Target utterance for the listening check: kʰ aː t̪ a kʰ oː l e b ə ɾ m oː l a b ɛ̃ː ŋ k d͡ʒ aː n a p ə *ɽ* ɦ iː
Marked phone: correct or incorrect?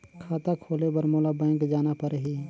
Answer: incorrect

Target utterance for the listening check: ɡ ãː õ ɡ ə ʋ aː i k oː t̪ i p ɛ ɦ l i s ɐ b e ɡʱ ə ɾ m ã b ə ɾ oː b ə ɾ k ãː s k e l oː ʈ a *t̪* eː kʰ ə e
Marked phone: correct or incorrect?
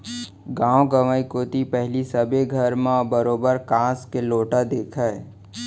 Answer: incorrect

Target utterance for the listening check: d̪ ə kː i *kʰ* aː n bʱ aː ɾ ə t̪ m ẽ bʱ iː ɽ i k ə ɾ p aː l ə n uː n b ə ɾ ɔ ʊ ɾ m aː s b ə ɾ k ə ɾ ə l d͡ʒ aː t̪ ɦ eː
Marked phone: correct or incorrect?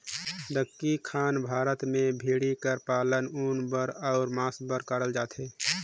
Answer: correct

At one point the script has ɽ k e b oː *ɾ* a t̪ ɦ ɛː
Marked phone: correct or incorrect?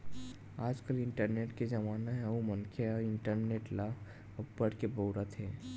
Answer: correct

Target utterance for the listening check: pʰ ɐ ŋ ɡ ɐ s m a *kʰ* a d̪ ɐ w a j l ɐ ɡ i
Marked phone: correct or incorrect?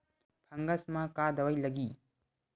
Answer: incorrect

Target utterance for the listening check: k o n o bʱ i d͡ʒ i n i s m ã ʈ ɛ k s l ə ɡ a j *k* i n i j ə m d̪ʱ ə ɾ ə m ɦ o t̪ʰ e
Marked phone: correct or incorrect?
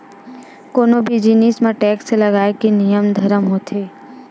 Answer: correct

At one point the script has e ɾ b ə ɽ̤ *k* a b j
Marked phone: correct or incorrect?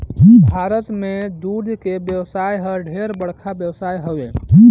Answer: incorrect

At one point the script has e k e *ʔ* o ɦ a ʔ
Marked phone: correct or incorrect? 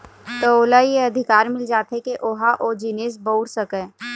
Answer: correct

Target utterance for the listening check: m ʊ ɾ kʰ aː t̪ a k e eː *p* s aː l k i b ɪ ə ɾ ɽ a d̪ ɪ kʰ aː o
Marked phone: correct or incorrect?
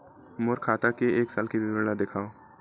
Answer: incorrect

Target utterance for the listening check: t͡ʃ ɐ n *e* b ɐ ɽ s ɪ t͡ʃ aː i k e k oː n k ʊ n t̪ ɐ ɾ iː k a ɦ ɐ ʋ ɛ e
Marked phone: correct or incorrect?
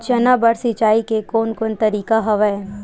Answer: incorrect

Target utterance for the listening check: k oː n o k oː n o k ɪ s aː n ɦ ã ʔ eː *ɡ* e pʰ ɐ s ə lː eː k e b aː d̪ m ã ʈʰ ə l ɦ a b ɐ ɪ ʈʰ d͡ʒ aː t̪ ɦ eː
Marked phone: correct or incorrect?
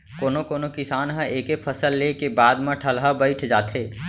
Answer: incorrect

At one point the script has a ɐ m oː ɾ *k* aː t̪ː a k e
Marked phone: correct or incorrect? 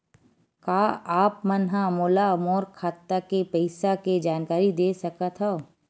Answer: incorrect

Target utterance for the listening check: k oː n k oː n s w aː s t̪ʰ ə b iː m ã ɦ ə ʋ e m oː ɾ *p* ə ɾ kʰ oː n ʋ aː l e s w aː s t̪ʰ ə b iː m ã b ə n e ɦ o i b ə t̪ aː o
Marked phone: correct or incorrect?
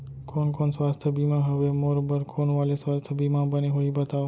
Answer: incorrect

